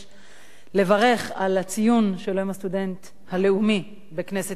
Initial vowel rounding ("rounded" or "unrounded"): unrounded